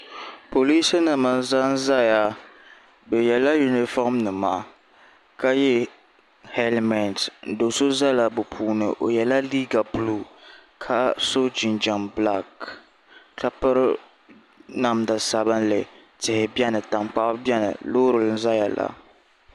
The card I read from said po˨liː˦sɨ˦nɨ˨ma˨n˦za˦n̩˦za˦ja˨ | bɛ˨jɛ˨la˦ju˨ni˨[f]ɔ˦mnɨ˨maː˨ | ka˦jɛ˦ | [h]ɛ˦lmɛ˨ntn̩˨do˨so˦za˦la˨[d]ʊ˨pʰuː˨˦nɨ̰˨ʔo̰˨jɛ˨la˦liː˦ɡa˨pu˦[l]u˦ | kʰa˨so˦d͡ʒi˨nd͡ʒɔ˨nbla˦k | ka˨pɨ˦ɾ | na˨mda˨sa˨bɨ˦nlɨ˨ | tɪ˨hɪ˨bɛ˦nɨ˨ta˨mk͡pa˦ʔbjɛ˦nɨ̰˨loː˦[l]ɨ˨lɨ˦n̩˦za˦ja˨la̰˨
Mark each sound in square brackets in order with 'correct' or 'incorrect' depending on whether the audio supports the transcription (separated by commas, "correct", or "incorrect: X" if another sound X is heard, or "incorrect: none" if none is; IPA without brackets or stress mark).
correct, correct, incorrect: b, correct, incorrect: ɾ